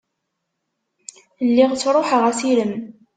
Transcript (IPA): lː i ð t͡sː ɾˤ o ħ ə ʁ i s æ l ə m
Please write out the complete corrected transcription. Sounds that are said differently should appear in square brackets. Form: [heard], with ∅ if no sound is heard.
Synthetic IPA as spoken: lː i [ʁ] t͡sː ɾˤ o ħ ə ʁ [æ] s [i] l ə m

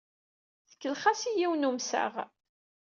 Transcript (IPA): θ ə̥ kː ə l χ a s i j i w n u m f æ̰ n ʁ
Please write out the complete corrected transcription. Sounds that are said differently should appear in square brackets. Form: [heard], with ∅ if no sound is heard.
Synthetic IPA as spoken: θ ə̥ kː ə l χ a s i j i w n u m [s] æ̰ [∅] ʁ

